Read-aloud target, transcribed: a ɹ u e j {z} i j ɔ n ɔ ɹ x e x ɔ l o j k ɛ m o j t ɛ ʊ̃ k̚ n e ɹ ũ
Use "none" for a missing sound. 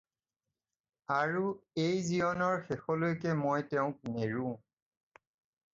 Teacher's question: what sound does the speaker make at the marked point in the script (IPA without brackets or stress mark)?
z